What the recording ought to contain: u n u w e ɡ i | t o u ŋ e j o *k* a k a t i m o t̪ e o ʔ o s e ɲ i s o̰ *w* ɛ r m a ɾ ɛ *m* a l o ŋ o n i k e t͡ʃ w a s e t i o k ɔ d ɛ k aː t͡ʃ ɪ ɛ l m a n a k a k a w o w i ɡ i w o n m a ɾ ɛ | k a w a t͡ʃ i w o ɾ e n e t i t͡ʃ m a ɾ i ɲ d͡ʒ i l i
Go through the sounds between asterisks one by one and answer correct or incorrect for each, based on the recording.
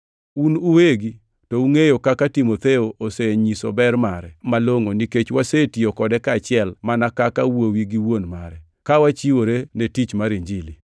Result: correct, incorrect, correct

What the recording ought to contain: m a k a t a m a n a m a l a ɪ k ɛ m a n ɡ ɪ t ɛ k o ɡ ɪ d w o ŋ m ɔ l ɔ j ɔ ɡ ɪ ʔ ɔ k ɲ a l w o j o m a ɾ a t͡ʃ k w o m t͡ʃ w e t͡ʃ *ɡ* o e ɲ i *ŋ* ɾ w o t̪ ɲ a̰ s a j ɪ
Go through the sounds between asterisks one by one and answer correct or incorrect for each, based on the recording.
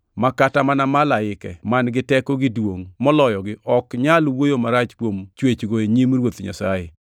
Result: correct, incorrect

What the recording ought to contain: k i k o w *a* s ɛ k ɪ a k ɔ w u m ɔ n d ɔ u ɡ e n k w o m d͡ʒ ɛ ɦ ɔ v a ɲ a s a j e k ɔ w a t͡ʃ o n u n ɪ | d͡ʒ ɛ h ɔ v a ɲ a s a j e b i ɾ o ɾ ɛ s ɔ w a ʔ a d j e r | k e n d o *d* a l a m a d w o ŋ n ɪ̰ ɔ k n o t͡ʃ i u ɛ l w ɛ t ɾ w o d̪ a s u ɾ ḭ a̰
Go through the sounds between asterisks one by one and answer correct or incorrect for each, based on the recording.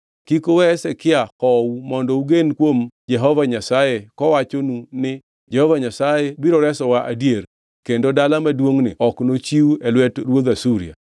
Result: incorrect, correct

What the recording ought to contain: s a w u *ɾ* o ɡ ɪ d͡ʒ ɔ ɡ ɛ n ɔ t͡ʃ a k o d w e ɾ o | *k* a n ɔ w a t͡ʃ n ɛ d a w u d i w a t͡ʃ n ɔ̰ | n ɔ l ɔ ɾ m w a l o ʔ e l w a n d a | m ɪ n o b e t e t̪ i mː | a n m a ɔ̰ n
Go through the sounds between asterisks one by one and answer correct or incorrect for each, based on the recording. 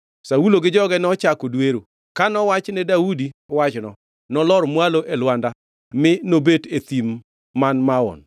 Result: incorrect, correct

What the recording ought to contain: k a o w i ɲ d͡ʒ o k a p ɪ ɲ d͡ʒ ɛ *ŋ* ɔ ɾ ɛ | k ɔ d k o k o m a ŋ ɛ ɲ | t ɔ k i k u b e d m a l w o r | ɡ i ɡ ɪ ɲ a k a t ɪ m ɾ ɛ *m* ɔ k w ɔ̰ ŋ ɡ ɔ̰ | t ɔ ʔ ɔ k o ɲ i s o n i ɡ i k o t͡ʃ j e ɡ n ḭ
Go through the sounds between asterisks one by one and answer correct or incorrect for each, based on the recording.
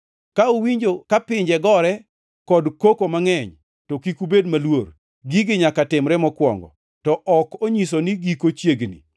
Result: incorrect, correct

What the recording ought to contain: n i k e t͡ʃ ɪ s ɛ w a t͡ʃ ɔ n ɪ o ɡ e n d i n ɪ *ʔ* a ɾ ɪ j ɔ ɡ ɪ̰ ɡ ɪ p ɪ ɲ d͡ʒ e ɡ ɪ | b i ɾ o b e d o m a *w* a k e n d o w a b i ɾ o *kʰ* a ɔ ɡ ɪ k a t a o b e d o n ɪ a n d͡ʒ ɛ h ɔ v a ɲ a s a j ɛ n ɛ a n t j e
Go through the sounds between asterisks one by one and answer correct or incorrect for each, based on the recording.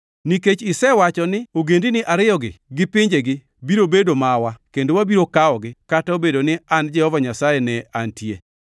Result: correct, correct, incorrect

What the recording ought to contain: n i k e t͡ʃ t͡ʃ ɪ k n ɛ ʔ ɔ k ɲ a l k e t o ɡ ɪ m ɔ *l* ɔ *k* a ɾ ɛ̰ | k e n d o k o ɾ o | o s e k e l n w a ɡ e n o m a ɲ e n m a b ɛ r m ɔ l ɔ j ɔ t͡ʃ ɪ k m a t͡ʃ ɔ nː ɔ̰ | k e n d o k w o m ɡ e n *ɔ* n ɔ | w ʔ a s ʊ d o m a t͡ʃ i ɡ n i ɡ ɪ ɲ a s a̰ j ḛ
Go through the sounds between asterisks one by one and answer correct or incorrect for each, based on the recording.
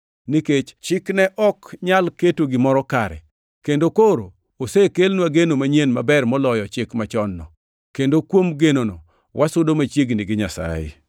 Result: incorrect, correct, incorrect

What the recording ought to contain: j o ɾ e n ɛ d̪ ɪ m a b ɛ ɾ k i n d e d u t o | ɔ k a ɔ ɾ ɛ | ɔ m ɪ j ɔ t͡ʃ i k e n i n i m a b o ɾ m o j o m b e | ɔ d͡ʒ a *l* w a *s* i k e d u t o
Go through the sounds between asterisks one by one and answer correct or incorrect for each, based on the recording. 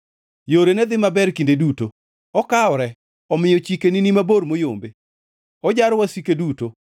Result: incorrect, correct

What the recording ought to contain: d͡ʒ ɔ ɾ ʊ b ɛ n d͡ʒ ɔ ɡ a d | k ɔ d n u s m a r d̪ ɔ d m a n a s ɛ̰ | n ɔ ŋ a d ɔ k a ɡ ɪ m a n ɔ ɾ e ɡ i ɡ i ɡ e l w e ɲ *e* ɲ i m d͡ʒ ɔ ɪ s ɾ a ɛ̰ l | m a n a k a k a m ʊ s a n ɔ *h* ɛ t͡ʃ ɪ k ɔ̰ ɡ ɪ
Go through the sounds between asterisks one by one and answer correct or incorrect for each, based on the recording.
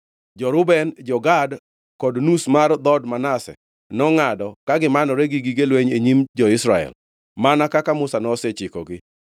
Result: correct, incorrect

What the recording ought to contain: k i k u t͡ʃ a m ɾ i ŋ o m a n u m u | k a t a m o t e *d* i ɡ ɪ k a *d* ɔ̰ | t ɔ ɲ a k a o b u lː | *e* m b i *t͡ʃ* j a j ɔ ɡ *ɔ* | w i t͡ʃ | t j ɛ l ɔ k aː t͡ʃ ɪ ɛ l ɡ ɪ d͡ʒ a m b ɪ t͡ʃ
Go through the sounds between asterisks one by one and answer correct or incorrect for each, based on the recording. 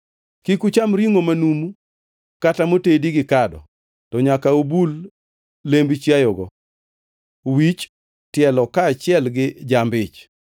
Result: correct, correct, correct, correct, correct

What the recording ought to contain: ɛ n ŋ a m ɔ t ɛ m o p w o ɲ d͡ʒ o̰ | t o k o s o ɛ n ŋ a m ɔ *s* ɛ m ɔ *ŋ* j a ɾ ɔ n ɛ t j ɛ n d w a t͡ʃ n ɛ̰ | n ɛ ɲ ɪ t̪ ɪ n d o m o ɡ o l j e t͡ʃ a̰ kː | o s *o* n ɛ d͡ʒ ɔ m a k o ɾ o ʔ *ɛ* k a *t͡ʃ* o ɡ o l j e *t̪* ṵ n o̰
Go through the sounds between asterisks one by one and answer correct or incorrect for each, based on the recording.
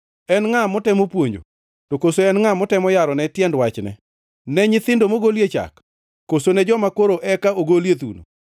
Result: incorrect, incorrect, correct, correct, incorrect, correct

